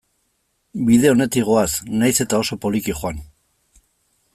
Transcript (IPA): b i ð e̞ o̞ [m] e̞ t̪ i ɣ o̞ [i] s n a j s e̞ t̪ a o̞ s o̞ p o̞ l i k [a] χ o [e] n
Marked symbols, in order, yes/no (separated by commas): no, no, no, no